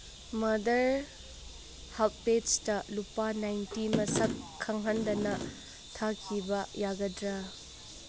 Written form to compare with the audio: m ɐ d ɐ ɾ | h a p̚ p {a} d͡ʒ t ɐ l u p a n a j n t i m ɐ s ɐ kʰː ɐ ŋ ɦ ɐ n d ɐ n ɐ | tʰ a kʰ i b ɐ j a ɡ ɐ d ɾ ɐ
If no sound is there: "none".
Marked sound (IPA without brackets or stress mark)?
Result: e